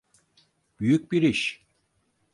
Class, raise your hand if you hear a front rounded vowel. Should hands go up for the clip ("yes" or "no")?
yes